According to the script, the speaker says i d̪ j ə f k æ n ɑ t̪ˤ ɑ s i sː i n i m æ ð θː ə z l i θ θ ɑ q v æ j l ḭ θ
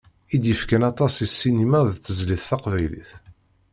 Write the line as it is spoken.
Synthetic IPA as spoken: i d̪ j ə f k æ n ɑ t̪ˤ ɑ s i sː i n i m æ ð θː ə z l i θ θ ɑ q v æ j l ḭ θ

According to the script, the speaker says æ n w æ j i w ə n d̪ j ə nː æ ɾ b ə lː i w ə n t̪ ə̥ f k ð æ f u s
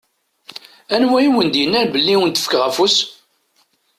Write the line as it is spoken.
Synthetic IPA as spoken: æ n w æ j i w ə n d̪ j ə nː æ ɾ b ə lː i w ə n t̪ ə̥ f k ʁ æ f u s

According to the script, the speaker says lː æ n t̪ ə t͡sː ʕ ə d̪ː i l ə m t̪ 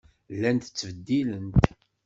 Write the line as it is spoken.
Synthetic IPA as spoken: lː æ n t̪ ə t͡sː v ə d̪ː i l ə n t̪

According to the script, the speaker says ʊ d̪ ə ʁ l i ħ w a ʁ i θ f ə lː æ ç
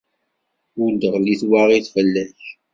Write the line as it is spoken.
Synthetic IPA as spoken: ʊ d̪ ə ʁ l i θ w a ʁ i θ f ə lː æ ç

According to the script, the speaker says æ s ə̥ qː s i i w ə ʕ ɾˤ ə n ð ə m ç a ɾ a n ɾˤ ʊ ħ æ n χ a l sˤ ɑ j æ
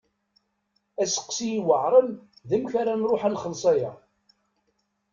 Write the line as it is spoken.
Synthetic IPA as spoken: æ s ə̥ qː s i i w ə ʕ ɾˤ ə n ð ə m ç a ɾ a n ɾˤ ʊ ħ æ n χ ə l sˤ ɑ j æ

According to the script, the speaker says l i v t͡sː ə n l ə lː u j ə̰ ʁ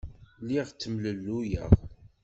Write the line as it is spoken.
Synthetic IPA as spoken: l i ʁ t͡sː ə m l ə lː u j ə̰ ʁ

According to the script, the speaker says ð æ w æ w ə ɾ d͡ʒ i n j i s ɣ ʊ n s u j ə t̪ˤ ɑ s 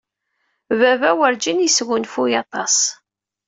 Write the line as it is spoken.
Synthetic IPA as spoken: v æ v æ w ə ɾ d͡ʒ i n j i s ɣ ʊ n f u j ɑ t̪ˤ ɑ s

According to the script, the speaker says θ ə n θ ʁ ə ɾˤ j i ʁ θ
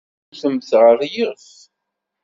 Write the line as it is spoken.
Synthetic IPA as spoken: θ ə m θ ʁ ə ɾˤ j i ʁ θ

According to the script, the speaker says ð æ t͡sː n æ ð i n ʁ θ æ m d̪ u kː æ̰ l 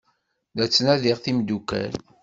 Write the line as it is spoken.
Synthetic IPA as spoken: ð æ t͡sː n æ ð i ʁ θ i m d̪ u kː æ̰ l

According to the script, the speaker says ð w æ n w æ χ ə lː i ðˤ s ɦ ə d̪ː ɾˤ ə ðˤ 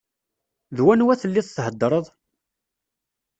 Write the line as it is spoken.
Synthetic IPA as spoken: ð w æ n w æ θ ə lː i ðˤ θ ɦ ə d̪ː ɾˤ ə ðˤ

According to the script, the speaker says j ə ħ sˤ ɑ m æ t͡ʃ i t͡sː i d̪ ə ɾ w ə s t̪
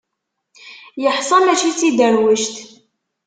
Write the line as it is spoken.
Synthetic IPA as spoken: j ə ħ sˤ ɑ m æ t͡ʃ i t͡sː i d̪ ə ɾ w ə ʃ t̪

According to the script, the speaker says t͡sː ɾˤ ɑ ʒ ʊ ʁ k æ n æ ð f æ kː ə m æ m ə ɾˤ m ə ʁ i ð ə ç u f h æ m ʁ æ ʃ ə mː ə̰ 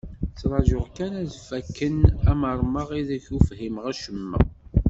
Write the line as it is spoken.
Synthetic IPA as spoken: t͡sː ɾˤ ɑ ʒ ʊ ʁ k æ n æ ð f æ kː ə n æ m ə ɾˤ m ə ʁ i ð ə ç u f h i m ʁ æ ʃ ə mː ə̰

